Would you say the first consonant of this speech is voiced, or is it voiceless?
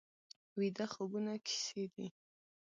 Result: voiced